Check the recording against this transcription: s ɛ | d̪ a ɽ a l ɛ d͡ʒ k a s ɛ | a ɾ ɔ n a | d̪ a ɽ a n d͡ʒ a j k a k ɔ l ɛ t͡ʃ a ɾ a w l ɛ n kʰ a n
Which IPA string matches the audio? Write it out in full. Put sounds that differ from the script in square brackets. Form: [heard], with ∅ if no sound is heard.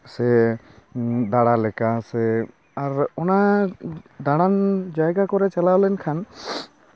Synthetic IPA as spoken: s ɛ | d̪ a ɽ a l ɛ [∅] k a s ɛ | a ɾ ɔ n a | d̪ a ɽ a n d͡ʒ a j [ɡ] a k ɔ [ɾ] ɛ t͡ʃ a [l] a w l ɛ n kʰ a n